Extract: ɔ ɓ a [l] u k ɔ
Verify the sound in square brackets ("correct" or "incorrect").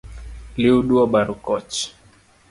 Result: incorrect